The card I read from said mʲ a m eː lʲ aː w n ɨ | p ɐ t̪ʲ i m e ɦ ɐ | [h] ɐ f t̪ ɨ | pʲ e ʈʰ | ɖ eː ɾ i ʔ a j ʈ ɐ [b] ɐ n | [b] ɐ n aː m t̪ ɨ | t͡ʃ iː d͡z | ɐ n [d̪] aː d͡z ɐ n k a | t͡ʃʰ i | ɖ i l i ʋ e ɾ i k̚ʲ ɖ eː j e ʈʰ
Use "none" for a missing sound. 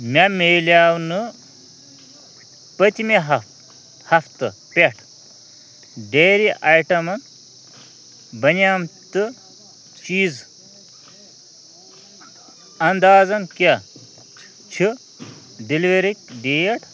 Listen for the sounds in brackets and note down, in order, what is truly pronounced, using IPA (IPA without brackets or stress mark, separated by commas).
h, m, b, d̪